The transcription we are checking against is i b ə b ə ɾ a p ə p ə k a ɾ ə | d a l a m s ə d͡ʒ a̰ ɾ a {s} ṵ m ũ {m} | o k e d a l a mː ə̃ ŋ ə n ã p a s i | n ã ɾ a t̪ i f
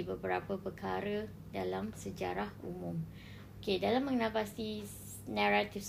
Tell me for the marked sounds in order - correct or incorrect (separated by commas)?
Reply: incorrect, correct